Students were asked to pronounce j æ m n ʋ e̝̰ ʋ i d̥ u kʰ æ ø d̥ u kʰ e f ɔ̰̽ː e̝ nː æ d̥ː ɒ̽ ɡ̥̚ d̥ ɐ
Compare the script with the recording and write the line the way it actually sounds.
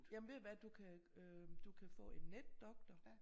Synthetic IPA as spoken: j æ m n ʋ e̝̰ ʋ æ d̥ u kʰ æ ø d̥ u kʰ æ f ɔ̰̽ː e̝ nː e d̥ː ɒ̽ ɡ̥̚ d̥ ɐ